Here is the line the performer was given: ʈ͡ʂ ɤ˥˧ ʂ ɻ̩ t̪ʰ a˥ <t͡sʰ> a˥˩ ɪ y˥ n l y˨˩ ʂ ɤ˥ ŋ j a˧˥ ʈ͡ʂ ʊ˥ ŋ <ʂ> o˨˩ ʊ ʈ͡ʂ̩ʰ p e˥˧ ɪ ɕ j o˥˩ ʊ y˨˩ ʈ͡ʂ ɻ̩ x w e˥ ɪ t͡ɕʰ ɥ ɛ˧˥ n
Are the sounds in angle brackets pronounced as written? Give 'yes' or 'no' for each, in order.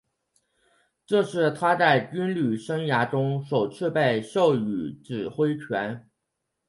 no, yes

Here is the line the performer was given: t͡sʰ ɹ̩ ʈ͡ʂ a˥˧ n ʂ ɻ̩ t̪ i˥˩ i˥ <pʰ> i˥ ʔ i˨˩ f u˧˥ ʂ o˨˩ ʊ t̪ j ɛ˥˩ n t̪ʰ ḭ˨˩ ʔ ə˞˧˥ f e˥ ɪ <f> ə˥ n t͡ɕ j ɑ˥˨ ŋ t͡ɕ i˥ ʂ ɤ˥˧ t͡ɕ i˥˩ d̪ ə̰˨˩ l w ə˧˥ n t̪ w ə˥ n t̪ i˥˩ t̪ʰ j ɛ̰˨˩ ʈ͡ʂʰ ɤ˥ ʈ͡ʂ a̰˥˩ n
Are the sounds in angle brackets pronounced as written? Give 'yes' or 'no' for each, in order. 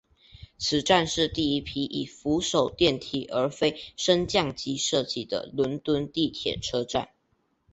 yes, no

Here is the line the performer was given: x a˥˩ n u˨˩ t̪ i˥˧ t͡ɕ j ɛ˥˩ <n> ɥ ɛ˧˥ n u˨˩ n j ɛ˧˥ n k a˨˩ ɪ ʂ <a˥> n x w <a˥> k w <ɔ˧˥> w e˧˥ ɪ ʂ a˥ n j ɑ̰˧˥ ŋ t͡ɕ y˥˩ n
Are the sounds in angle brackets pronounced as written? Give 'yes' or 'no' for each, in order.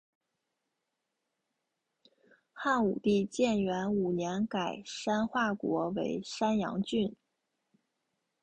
yes, yes, no, yes

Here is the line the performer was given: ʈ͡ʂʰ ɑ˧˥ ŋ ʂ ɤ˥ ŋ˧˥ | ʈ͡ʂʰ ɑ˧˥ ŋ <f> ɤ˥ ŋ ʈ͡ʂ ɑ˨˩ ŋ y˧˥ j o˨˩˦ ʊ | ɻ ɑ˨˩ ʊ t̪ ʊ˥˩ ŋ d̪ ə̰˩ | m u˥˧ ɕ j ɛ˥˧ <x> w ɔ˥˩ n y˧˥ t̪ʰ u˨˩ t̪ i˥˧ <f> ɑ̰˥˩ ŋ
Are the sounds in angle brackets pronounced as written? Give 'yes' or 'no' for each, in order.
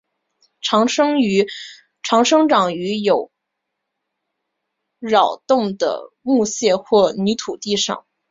no, yes, no

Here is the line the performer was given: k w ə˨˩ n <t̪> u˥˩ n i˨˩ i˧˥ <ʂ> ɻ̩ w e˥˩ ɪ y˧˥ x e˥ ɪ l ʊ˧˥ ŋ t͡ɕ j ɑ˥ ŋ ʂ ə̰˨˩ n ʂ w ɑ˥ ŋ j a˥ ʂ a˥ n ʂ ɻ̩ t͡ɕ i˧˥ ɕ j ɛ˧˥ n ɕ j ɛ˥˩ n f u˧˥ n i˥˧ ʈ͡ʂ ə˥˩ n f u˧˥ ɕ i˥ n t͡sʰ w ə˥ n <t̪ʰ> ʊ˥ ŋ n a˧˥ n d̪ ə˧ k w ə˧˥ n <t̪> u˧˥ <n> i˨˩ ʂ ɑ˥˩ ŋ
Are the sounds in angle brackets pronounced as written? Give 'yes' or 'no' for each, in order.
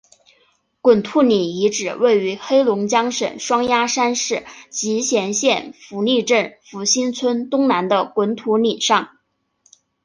no, no, no, no, yes

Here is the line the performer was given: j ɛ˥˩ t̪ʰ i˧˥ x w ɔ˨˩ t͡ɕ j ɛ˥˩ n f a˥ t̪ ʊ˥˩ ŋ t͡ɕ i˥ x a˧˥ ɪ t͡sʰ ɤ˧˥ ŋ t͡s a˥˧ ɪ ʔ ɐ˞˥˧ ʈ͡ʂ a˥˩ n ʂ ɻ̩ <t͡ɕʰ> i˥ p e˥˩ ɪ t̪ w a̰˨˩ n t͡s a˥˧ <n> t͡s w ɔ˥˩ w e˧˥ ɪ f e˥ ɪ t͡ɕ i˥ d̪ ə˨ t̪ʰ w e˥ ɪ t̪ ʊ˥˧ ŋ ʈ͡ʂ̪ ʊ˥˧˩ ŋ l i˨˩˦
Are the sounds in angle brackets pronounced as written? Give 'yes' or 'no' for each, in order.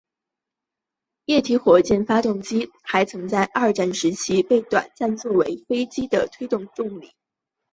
yes, yes

